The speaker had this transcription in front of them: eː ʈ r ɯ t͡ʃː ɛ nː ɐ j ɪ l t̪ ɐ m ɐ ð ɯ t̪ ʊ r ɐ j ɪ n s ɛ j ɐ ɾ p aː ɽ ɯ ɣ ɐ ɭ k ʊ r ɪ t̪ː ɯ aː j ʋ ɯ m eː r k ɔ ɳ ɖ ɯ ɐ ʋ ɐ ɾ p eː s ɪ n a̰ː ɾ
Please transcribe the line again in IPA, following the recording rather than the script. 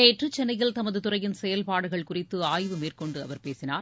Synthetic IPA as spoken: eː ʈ r ɯ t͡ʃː ɛ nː ɐ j ɪ l t̪ ɐ m ɐ ð ɯ t̪ ʊ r ɐ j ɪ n s ɛ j ɐ l p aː ɽ ɯ ɣ ɐ ɭ k ʊ r ɪ t̪ː ɯ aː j ʋ ɯ m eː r k ɔ ɳ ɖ ɯ ɐ ʋ ɐ ɾ p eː s ɪ n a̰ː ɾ

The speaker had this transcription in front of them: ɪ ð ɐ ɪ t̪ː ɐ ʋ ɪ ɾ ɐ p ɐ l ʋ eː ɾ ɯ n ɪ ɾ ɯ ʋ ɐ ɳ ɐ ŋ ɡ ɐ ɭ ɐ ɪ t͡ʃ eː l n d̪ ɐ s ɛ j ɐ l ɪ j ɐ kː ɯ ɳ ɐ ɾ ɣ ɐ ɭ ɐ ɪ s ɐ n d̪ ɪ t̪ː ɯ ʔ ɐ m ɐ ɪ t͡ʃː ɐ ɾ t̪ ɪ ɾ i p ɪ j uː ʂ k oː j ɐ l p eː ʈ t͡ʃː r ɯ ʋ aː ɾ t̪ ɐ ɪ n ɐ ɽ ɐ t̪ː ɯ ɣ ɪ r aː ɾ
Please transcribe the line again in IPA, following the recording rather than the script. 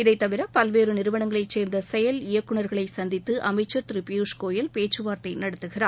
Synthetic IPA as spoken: ɪ ð ɐ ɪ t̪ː ɐ ʋ ɪ ɾ ɐ p ɐ l ʋ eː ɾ ɯ n ɪ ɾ ɯ ʋ ɐ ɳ ɐ ŋ ɡ ɐ ɭ ɐ ɪ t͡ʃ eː ɾ n d̪ ɐ s ɛ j ɐ l ɪ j ɐ kː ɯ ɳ ɐ ɾ ɣ ɐ ɭ ɐ ɪ s ɐ n d̪ ɪ t̪ː ɯ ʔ ɐ m ɐ ɪ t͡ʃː ɐ ɾ t̪ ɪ ɾ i p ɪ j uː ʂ k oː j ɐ l p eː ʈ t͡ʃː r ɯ ʋ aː ɾ t̪ ɐ ɪ n ɐ ɽ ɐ t̪ː ɯ ɣ ɪ r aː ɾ

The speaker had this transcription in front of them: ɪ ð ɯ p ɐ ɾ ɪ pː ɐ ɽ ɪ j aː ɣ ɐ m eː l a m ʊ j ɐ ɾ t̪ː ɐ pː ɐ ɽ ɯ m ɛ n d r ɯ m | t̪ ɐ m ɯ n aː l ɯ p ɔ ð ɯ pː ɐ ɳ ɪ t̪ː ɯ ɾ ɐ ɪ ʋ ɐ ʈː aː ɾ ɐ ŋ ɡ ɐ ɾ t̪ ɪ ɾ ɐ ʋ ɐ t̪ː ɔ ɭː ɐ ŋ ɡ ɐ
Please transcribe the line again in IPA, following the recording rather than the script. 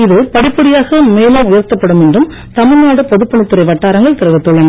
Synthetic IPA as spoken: ɪ ð ɯ p ɐ ɽ ɪ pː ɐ ɽ ɪ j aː ɣ ɐ m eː l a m ʊ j ɐ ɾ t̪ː ɐ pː ɐ ɽ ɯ m ɛ n d r ɯ m | t̪ ɐ m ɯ n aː ɽ ɯ p ɔ ð ɯ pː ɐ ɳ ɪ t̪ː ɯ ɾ ɐ ɪ ʋ ɐ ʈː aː ɾ ɐ ŋ ɡ ɐ ɭ t̪ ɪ ɾ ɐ ʋ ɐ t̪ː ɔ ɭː ɐ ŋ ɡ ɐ

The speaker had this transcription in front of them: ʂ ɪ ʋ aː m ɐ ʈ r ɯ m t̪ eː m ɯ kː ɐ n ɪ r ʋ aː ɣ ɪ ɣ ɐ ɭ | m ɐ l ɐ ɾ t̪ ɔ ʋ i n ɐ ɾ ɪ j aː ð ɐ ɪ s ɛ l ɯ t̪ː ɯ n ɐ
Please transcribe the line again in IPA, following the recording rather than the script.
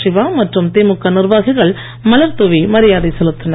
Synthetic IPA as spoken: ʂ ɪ ʋ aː m ɐ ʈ r ɯ m t̪ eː m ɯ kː ɐ n ɪ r ʋ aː ɣ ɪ ɣ ɐ ɭ | m ɐ l ɐ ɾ t̪ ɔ ʋ i m ɐ ɾ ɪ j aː ð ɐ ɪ s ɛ l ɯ t̪ː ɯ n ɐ

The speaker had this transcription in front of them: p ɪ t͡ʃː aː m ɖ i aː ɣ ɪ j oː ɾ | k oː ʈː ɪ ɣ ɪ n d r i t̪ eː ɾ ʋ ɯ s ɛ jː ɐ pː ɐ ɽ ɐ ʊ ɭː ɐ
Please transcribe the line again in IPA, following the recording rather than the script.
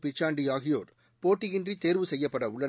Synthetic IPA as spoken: p ɪ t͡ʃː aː ɳ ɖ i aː ɣ ɪ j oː ɾ | p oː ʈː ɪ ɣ ɪ n d r i t̪ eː ɾ ʋ ɯ s ɛ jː ɐ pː ɐ ɽ ɐ ʊ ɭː ɐ

